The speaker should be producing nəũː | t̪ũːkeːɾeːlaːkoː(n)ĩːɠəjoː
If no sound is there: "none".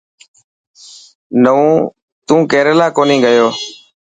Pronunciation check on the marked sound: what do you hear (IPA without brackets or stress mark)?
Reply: n